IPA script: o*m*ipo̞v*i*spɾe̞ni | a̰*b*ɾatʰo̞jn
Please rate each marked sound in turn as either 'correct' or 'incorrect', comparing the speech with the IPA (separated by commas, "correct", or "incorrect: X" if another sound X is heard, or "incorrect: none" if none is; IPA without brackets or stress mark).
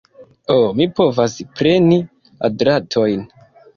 correct, incorrect: a, incorrect: d